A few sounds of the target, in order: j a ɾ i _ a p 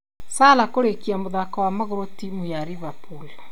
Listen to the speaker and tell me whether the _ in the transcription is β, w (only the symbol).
β